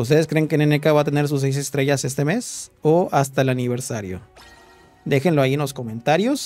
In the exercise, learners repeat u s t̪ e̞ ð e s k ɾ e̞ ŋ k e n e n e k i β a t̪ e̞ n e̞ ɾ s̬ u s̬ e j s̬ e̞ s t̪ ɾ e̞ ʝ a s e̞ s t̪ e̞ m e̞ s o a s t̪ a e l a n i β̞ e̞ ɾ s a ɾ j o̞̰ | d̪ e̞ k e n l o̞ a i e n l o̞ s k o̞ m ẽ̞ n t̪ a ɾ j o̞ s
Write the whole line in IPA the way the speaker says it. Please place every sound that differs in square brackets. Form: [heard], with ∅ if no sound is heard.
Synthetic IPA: u s t̪ e̞ ð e s k ɾ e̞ ŋ k e n e n e k [a] β a t̪ e̞ n e̞ ɾ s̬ u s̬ e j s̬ e̞ s t̪ ɾ e̞ ʝ a s e̞ s t̪ e̞ m e̞ s o a s t̪ a e l a n i β̞ e̞ ɾ s a ɾ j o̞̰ | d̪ e̞ [x] e n l o̞ a i e n l o̞ s k o̞ m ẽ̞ n t̪ a ɾ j o̞ s